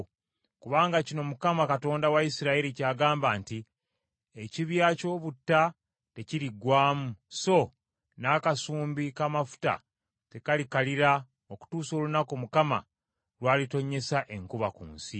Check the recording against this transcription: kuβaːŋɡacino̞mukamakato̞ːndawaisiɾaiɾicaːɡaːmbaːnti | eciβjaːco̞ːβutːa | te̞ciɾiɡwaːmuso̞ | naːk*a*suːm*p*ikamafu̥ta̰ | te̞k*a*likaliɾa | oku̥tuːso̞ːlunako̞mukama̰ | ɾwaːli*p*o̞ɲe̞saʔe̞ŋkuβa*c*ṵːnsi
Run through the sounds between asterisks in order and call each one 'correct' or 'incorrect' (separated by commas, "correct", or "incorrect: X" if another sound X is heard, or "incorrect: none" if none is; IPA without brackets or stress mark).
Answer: correct, incorrect: b, correct, incorrect: t, incorrect: k